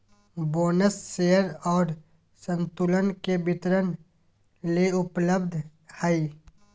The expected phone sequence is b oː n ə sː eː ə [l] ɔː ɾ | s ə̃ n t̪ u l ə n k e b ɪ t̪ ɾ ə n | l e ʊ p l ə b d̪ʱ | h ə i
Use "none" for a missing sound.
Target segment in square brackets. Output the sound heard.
ɾ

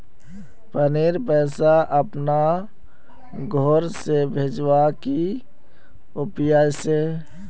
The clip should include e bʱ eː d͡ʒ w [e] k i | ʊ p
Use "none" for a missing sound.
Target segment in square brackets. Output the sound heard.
a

